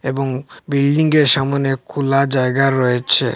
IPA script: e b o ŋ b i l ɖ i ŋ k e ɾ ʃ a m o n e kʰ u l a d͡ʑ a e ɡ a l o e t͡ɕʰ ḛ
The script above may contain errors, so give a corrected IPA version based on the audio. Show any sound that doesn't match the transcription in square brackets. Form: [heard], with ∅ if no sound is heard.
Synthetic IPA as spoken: e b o ŋ b i l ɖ i ŋ [ɡ] e ɾ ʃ a m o n e kʰ u l a d͡ʑ a e ɡ a [ɾ] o e t͡ɕʰ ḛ